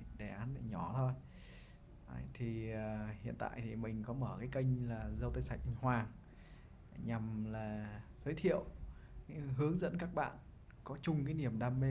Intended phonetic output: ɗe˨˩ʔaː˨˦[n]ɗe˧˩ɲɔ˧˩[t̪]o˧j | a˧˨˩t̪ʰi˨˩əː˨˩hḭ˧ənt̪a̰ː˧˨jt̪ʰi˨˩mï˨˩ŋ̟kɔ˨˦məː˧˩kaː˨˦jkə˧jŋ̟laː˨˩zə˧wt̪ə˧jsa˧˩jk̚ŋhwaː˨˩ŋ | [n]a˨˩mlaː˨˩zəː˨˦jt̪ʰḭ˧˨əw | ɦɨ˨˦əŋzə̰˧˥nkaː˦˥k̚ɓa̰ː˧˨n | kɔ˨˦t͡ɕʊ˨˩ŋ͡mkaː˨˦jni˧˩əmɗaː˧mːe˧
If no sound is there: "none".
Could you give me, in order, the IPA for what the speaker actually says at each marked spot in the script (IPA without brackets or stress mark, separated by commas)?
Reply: n, t̪ʰ, ɲ